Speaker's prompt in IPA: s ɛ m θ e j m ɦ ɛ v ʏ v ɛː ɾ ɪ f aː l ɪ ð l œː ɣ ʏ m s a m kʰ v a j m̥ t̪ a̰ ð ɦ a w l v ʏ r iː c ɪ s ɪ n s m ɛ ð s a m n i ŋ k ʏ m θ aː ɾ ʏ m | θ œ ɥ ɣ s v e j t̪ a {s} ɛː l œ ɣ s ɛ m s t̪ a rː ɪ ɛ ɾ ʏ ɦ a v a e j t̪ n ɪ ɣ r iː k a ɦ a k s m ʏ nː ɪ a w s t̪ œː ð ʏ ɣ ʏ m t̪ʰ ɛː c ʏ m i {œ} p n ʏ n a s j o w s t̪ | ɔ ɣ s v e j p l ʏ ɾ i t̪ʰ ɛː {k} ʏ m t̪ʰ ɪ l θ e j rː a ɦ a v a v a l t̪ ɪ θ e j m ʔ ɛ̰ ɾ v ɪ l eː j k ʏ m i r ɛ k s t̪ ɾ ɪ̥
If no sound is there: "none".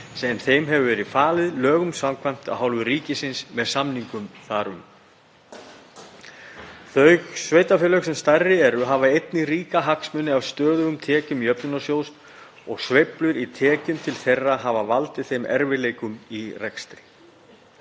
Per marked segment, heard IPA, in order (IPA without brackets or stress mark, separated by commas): f, œ, c